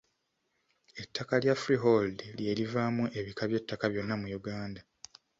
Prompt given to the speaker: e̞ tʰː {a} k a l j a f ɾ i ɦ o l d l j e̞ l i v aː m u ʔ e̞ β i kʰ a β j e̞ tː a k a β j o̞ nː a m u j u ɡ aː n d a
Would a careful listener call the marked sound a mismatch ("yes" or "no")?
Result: no